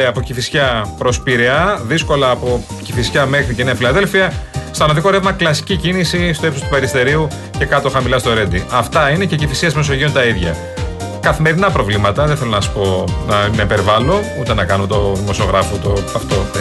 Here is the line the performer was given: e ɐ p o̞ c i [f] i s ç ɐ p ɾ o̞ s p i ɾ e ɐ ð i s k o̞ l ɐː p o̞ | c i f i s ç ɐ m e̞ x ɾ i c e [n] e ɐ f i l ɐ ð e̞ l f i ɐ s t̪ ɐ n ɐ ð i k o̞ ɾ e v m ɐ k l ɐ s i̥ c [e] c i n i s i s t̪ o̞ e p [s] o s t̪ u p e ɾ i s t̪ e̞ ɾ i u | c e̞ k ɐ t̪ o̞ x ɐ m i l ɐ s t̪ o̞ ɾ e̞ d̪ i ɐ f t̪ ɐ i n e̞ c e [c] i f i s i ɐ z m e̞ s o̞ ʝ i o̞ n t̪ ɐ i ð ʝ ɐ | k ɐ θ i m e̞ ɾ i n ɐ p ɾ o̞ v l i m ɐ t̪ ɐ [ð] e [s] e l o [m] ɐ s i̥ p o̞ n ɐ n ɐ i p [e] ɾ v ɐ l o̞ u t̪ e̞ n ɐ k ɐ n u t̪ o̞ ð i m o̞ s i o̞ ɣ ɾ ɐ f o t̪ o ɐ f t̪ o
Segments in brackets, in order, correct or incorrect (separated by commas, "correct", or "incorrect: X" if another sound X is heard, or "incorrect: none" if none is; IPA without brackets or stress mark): correct, correct, incorrect: i, correct, correct, correct, incorrect: θ, incorrect: n, correct